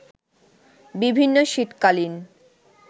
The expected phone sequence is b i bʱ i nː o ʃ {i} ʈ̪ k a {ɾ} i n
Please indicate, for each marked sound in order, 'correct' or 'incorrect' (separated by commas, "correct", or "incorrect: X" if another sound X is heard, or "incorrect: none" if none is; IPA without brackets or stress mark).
correct, incorrect: l